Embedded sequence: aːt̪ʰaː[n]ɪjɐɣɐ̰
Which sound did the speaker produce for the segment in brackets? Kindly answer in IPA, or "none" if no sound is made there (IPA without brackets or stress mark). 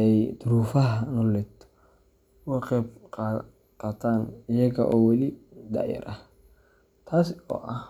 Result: n